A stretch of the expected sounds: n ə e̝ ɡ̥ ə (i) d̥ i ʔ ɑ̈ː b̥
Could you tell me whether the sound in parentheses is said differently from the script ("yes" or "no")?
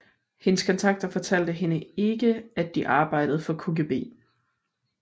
yes